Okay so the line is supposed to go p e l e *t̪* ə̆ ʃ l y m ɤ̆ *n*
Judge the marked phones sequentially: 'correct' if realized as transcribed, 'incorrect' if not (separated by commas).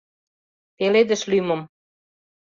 incorrect, incorrect